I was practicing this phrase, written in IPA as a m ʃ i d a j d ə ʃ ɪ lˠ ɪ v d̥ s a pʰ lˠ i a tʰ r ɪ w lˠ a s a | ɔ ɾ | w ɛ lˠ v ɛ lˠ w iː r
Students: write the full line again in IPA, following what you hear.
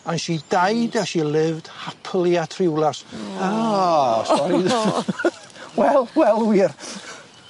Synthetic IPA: a n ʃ i d a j d a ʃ i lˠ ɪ v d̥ h a pʰ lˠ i a tʰ r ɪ w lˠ a s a | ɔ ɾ | w ɛ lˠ w ɛ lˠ w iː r